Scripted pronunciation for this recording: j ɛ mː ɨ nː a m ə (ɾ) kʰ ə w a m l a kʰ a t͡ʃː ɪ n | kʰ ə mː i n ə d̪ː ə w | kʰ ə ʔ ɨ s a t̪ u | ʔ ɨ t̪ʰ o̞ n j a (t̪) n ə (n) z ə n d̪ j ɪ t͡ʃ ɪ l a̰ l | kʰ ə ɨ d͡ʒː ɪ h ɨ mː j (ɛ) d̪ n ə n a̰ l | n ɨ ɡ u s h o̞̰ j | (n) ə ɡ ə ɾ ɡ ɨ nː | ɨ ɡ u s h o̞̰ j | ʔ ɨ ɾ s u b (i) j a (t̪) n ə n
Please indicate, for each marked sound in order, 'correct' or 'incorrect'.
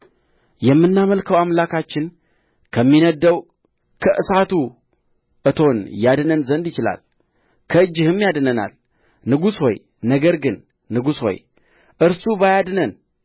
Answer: incorrect, incorrect, correct, incorrect, correct, incorrect, incorrect

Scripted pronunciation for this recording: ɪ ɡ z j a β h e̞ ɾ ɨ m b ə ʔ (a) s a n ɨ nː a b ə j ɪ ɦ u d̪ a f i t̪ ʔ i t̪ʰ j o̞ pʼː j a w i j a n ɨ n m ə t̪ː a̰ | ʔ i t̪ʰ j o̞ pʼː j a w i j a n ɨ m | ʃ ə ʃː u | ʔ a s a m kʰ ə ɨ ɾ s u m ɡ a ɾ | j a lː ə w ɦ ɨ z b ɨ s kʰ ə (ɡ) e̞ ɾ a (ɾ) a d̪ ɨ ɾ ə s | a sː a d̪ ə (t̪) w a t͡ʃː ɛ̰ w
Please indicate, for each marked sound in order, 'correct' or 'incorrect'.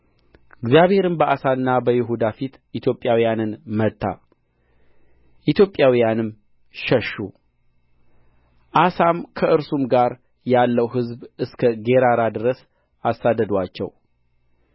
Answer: correct, correct, correct, incorrect

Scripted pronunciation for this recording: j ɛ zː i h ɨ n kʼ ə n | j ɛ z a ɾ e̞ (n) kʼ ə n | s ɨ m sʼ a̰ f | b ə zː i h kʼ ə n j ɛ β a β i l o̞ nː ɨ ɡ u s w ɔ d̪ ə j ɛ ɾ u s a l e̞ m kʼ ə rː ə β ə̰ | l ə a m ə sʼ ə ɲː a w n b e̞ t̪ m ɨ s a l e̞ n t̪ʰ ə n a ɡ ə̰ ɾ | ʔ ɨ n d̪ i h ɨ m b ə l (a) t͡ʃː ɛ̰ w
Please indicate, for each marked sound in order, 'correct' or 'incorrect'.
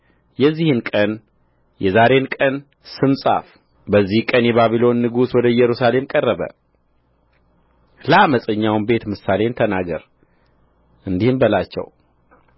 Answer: correct, correct

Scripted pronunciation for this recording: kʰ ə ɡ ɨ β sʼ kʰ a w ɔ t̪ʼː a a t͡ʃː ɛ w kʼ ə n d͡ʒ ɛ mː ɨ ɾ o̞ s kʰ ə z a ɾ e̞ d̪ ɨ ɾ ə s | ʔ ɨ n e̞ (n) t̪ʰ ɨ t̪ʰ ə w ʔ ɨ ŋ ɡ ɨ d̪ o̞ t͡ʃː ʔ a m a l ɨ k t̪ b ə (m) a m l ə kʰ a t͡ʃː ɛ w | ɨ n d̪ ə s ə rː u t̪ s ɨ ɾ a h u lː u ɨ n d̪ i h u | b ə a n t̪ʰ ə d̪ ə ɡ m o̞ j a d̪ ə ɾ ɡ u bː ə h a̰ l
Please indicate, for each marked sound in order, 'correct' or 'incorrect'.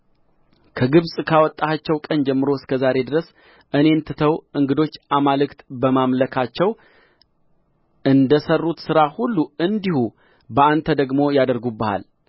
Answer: correct, correct

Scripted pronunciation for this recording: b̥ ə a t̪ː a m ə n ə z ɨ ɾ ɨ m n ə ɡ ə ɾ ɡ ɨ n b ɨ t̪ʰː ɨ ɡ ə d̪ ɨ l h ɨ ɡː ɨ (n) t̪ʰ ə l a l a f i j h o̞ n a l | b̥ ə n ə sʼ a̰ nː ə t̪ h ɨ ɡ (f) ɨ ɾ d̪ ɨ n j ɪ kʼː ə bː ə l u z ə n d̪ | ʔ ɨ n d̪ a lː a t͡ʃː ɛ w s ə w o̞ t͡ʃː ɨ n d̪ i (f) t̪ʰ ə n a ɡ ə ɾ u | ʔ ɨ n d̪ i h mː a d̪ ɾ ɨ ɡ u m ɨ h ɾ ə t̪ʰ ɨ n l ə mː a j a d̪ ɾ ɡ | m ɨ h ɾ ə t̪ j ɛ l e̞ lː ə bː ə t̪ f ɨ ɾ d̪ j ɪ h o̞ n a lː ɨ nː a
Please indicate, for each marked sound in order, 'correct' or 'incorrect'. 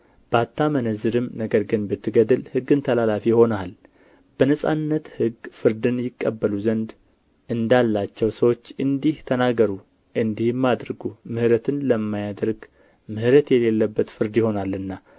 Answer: correct, correct, incorrect

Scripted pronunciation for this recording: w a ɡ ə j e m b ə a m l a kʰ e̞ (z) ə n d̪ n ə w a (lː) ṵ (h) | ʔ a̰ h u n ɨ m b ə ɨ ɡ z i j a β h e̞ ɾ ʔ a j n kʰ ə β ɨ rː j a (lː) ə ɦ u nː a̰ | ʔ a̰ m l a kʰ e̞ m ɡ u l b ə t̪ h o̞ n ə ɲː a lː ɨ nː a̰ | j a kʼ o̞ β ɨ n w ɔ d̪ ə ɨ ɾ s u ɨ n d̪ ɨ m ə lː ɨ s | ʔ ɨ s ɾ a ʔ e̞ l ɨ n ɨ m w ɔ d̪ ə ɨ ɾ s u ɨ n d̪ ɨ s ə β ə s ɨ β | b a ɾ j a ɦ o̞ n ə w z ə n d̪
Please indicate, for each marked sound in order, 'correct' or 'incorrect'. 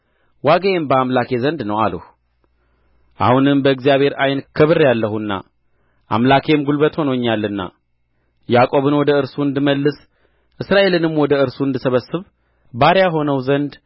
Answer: correct, incorrect, correct, correct

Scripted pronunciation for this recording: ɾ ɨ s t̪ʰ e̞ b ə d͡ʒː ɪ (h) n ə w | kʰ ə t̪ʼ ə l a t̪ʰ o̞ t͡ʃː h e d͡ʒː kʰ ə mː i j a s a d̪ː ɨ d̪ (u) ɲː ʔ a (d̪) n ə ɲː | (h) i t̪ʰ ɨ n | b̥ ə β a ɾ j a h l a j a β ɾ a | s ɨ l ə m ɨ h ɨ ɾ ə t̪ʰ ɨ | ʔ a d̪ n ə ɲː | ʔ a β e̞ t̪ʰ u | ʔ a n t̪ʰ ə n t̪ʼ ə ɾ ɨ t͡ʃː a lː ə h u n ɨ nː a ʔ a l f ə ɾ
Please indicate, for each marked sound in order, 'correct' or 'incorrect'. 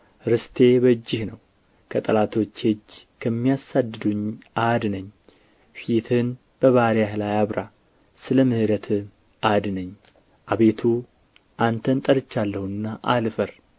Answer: correct, correct, correct, incorrect

